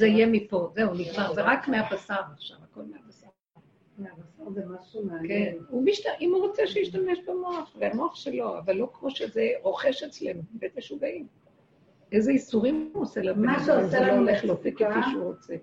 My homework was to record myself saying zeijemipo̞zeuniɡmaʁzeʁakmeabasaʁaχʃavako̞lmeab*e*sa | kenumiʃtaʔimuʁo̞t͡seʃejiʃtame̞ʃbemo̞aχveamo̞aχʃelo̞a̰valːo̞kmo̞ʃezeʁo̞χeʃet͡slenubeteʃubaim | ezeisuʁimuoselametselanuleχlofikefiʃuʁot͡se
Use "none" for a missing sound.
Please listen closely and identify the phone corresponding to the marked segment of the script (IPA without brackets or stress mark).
a